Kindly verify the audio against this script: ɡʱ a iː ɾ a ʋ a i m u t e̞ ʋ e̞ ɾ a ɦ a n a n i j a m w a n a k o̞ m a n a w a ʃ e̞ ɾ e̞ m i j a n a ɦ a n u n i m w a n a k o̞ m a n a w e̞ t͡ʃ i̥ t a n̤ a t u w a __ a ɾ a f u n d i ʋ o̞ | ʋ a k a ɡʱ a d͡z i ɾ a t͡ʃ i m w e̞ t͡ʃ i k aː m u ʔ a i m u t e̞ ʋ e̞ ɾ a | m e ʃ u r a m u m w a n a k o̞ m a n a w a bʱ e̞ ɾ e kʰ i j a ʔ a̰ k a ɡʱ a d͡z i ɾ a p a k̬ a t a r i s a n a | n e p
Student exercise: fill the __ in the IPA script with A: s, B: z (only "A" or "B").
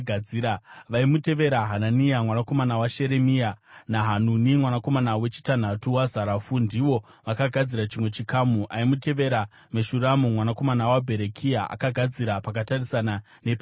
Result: B